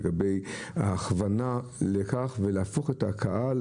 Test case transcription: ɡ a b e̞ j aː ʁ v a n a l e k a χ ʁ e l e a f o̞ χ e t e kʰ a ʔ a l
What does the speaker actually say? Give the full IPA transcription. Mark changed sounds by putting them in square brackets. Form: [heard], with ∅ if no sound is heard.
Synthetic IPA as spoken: ɡ a b e̞ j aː [χ] v a n a l e k a χ [v] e l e a f o̞ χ e t [a] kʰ a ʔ a l